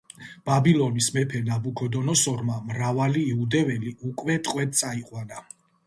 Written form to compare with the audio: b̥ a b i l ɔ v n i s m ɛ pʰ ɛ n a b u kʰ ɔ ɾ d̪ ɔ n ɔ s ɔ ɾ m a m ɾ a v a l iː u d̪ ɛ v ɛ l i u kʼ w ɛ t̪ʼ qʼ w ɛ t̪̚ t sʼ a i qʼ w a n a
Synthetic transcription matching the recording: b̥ a b i l ɔ n i s m ɛ pʰ ɛ n a b u kʰ ɔ d̪ ɔ n ɔ s ɔ ɾ m a m ɾ a v a l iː u d̪ ɛ v ɛ l i u kʼ w ɛ t̪ʼ qʼ w ɛ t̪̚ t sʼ a i qʼ w a n a